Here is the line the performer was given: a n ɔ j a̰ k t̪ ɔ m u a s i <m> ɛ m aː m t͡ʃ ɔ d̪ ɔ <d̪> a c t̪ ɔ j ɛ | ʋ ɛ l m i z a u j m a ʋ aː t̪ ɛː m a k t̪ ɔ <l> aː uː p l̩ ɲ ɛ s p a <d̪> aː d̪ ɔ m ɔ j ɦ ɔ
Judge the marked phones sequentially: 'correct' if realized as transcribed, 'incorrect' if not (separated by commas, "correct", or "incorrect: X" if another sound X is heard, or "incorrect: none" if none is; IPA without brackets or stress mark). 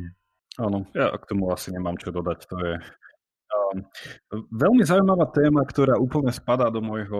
incorrect: ɲ, correct, incorrect: ɾ, correct